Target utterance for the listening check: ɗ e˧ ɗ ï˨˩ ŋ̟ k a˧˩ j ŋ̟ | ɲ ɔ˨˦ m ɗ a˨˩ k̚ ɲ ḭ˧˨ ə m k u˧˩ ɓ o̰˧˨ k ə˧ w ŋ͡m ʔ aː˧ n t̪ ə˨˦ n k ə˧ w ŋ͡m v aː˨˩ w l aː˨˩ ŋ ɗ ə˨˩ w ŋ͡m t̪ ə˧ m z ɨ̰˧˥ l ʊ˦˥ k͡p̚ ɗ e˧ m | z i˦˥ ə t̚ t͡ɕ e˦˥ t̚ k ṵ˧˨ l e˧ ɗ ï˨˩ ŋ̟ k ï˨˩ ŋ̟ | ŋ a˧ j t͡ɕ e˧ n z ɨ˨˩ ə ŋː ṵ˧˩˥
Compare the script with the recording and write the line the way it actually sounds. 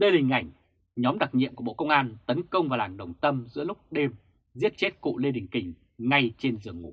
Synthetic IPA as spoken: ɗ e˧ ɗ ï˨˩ ŋ̟ ʔ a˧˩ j ŋ̟ | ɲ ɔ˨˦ m ɗ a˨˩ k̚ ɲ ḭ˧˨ ə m k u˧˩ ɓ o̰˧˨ k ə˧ w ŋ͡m ʔ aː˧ n t̪ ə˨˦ n k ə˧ w ŋ͡m v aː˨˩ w l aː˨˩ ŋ ɗ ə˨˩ w ŋ͡m t̪ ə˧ m z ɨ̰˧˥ l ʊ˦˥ k͡p̚ ɗ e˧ m | z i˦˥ ə t̚ t͡ɕ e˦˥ t̚ k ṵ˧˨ l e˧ ɗ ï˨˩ ŋ̟ k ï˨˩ ŋ̟ | ŋ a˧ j t͡ɕ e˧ n z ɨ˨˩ ə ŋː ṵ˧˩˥

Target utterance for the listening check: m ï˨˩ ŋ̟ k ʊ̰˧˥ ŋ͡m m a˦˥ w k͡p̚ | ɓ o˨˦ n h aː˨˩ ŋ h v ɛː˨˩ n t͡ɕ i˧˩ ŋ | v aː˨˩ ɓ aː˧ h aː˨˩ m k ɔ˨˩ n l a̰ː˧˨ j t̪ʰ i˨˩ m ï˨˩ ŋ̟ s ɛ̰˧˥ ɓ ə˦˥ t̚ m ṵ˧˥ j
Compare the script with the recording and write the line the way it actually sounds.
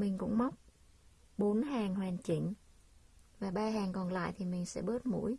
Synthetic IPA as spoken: m ï˨˩ ŋ̟ k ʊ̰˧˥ ŋ͡m m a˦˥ w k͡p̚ | ɓ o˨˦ n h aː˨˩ ŋ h w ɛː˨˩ n t͡ɕ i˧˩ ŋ | v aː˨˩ ɓ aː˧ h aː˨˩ ŋ k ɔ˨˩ n l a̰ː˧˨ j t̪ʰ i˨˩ m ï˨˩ ŋ̟ s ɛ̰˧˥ ɓ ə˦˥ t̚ m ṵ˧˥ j

